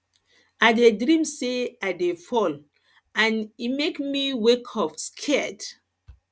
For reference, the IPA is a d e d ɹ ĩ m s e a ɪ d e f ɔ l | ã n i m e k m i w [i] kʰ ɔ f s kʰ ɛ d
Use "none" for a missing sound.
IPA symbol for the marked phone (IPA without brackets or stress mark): e